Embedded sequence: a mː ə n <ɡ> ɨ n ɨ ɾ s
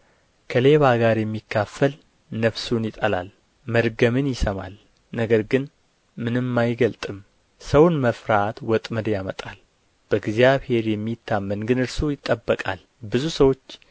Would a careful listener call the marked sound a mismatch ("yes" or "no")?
no